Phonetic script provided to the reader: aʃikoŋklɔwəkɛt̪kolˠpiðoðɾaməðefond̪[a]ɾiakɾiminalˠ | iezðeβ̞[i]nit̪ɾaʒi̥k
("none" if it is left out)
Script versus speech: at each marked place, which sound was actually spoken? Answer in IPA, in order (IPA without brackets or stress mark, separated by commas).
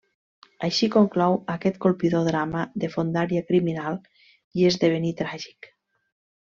a, e